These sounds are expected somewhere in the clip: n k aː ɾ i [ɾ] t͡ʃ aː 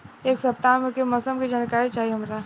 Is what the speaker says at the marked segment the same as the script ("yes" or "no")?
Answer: no